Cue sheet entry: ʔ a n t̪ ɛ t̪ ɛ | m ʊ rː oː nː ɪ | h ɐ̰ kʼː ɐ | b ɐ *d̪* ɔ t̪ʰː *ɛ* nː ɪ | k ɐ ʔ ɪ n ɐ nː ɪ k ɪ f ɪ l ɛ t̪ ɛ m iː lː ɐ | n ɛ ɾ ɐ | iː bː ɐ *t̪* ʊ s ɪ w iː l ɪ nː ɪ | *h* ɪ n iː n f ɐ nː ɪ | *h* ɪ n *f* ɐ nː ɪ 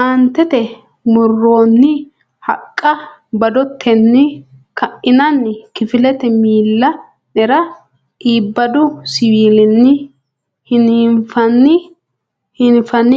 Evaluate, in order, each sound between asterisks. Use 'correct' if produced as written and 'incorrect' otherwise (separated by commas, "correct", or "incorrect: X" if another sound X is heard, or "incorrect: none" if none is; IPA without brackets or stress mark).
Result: correct, correct, incorrect: d̪, correct, correct, correct